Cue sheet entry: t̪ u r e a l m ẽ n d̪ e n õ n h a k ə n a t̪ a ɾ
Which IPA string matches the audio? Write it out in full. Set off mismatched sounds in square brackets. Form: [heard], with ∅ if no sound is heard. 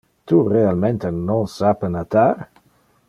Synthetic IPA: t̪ u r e a l m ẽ n [t̪] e n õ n [s] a [p] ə n a t̪ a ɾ